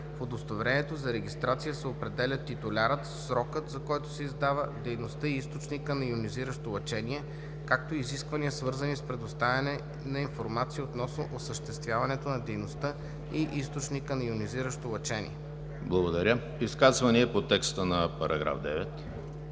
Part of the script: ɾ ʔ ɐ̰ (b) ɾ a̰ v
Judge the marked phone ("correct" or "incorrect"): incorrect